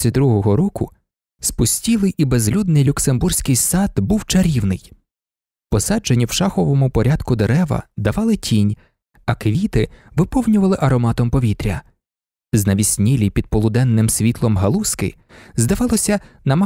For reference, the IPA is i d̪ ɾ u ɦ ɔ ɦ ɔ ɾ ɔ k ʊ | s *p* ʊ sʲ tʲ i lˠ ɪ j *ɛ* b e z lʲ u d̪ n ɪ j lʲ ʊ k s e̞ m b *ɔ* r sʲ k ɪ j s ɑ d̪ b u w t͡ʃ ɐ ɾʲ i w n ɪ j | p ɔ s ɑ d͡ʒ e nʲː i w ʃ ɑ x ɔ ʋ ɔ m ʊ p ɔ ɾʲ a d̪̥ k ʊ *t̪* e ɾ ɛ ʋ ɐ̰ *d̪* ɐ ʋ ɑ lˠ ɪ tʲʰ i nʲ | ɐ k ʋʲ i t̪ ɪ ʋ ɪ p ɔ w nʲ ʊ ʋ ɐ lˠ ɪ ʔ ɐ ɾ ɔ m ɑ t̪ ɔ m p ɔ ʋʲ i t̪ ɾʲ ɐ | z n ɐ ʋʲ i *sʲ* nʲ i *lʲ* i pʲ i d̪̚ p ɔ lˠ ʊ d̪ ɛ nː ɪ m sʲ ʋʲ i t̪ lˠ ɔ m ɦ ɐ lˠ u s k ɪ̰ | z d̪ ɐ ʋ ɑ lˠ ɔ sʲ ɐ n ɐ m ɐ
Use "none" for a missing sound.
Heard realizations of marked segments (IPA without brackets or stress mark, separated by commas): p, i, u, d̪, d̪, sʲ, lʲ